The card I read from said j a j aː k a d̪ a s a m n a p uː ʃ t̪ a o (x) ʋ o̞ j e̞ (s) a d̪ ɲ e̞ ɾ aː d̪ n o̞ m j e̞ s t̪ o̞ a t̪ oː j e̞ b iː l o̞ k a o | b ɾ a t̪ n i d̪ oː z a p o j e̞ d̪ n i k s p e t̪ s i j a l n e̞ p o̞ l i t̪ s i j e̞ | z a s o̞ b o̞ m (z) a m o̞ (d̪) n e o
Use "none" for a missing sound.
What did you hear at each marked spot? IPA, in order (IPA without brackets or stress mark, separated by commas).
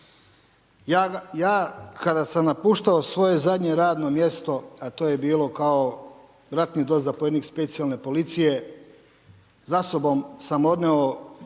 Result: s, z, s, d̪